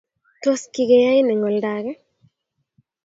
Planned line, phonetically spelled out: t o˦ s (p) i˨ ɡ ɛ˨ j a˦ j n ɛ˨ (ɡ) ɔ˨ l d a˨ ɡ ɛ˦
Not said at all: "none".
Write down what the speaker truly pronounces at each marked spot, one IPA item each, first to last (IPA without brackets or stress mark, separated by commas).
k, ŋ